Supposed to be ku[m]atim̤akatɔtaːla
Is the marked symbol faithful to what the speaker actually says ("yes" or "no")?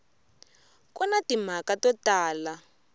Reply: no